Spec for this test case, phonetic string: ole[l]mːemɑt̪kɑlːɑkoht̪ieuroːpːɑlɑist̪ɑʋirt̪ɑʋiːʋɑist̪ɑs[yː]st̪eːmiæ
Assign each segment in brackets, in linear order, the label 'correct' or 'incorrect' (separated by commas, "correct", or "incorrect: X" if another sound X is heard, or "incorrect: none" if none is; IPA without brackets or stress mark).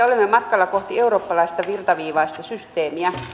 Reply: incorrect: none, incorrect: y